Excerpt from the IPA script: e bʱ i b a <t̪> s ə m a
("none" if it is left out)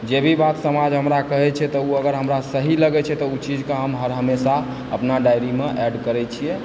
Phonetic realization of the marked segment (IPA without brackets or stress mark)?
t̪